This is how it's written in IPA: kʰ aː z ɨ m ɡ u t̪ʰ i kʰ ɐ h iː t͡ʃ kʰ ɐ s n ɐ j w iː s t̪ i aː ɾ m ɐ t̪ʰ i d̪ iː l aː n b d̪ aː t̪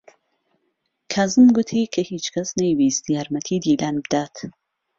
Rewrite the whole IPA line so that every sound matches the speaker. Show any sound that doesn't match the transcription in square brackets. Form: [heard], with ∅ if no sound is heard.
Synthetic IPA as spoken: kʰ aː z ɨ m ɡ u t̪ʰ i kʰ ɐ h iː t͡ʃ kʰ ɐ s n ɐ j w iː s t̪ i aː ɾ m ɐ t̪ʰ i d̪ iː l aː n b d̪ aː t̪